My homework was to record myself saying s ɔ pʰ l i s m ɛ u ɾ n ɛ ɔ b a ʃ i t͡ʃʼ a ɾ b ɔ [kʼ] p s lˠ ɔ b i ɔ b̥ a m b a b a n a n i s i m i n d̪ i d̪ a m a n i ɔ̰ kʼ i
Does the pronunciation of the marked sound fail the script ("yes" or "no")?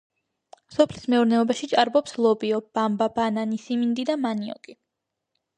yes